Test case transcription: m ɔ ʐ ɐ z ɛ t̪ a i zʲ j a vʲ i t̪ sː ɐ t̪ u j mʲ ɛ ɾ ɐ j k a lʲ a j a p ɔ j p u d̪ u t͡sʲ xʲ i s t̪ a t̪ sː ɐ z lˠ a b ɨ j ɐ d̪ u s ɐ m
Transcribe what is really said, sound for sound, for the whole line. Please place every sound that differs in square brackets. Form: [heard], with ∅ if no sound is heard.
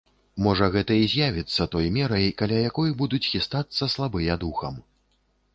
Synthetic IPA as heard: m ɔ ʐ ɐ [ɣ] ɛ t̪ [ɐ] i zʲ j a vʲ i t̪ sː ɐ t̪ [ɔ] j mʲ ɛ ɾ ɐ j k a lʲ a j a [k] ɔ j [b] u d̪ u t͡sʲ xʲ i s t̪ a t̪ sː ɐ [s] lˠ a b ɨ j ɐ d̪ u [x] ɐ m